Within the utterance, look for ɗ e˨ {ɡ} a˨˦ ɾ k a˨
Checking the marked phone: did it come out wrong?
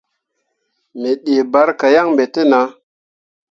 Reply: yes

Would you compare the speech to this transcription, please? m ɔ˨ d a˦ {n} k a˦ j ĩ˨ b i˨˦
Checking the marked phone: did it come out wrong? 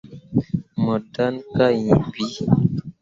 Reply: no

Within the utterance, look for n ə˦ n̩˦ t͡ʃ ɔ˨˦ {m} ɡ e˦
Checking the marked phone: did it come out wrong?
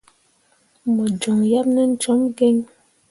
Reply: no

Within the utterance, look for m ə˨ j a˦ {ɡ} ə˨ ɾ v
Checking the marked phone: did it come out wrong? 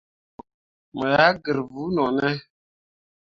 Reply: no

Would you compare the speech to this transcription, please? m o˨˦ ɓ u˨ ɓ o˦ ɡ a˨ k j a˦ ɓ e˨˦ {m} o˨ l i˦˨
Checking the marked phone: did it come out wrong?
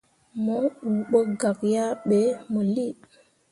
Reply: no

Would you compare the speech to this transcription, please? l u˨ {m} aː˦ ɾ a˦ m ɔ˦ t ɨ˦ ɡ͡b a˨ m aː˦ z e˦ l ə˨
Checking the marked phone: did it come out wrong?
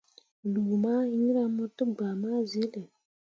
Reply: no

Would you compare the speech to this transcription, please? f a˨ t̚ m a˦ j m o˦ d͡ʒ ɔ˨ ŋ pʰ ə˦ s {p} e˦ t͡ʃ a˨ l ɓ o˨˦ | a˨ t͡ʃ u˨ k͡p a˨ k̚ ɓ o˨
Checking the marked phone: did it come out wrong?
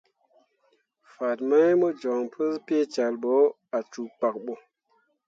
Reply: no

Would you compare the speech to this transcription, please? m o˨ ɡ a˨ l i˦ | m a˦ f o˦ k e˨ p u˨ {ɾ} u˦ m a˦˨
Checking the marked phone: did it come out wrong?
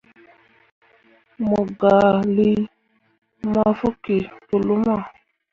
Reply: yes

